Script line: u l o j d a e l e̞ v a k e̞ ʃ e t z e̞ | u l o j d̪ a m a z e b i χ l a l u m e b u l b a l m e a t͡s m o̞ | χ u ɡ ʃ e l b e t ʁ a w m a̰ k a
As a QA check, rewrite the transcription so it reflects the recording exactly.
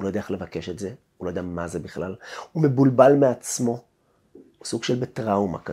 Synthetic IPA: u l o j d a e l e̞ v a k e̞ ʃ e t z e̞ | u l o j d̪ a m a z e b i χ l a l u m e b u l b a l m e a t͡s m o̞ | s u ɡ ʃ e l b e t ʁ a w m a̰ k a